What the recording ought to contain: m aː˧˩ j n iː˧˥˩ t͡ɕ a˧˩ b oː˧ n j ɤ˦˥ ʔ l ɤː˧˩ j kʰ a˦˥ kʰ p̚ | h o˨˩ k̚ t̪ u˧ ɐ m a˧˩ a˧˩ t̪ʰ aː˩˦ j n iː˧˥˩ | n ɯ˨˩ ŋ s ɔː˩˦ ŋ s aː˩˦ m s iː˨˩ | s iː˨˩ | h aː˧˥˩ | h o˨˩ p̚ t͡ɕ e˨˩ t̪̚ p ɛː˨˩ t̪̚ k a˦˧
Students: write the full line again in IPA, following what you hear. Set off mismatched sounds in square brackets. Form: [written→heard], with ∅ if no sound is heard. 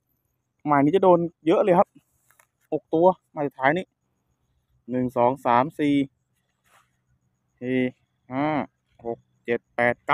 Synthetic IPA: m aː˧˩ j n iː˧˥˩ t͡ɕ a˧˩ [b→d] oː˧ n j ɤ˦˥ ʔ l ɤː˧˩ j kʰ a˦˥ [kʰ→∅] p̚ | h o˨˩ k̚ t̪ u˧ ɐ m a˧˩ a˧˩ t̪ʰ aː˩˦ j n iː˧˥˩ | n ɯ˨˩ ŋ s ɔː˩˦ ŋ s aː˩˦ m s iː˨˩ | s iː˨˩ | h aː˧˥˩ | h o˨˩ [p̚→k̚] t͡ɕ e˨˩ t̪̚ p ɛː˨˩ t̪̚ k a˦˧

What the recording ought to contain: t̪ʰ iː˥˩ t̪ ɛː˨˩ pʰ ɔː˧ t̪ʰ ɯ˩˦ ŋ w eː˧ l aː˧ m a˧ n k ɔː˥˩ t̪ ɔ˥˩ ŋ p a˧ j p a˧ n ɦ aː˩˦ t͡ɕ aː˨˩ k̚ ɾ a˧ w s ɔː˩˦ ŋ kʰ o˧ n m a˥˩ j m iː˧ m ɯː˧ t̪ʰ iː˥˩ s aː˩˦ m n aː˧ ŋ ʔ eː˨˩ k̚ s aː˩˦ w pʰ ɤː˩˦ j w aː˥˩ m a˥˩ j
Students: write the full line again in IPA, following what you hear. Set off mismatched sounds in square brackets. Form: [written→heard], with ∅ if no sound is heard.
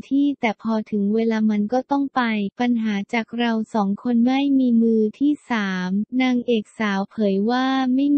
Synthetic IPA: t̪ʰ iː˥˩ t̪ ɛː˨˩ pʰ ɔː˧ t̪ʰ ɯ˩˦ ŋ w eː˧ l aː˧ m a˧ n k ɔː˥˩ t̪ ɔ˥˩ ŋ p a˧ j p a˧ n ɦ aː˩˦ t͡ɕ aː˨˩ k̚ ɾ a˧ w s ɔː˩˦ ŋ kʰ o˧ n m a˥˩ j m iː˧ m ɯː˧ t̪ʰ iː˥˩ s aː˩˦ m n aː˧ ŋ ʔ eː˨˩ k̚ s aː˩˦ w pʰ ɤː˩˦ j w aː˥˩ m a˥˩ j

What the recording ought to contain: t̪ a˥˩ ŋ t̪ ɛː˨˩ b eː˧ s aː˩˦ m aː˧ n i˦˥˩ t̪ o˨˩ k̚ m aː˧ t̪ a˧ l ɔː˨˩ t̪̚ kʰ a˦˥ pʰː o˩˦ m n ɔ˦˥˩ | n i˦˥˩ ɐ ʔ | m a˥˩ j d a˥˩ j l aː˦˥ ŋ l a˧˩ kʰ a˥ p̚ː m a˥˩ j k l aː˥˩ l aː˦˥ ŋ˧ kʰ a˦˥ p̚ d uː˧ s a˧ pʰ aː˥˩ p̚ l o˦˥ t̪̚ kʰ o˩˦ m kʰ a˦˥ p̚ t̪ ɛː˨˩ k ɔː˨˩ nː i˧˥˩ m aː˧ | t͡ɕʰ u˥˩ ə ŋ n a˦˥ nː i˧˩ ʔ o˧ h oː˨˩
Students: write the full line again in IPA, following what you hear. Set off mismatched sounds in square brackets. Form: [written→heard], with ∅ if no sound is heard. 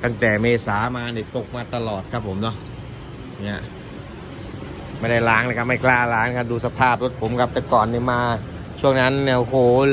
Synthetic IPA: t̪ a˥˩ ŋ t̪ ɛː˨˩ [b→m] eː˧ s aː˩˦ m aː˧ n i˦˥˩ t̪ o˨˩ k̚ m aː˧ t̪ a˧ l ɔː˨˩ t̪̚ kʰ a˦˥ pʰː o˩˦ m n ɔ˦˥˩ | n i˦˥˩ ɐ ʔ | m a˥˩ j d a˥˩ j l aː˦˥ ŋ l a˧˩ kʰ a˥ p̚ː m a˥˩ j k l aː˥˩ l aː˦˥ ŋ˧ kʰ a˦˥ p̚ d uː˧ s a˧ pʰ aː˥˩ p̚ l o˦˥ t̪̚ [kʰ→pʰ] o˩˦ m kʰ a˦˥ p̚ t̪ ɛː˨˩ k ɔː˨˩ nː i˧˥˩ m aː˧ | t͡ɕʰ u˥˩ ə ŋ n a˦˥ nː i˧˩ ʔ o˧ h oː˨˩

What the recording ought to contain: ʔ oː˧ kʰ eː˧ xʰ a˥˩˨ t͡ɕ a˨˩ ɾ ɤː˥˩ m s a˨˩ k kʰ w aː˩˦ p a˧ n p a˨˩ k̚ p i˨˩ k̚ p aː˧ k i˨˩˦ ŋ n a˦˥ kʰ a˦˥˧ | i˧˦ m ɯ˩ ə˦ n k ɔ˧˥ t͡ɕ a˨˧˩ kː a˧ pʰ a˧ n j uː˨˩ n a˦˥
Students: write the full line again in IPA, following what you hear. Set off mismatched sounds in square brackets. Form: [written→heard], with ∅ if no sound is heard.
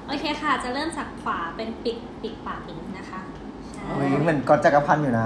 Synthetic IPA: ʔ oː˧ kʰ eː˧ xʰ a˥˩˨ t͡ɕ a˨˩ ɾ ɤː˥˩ m s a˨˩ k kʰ w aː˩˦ p [a˧→e˧] n p [a˨˩→i˨˩] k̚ p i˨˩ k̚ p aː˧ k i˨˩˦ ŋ n a˦˥ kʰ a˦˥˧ | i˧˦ m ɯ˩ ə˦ n k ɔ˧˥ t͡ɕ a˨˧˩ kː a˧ pʰ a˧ n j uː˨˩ n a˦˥

